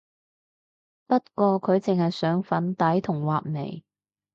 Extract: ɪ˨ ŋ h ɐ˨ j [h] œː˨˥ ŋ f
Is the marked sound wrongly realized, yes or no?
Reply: yes